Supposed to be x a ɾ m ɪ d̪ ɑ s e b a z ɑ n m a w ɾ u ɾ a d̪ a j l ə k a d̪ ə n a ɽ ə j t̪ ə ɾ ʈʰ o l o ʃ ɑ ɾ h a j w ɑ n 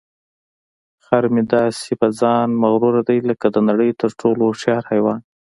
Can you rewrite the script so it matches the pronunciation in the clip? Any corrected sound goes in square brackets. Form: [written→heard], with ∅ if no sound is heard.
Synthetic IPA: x a ɾ m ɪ d̪ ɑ s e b a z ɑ n m a [w→ɣ] ɾ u ɾ a d̪ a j l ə k a d̪ ə n a ɽ ə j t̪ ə ɾ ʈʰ o l o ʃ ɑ ɾ h a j w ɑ n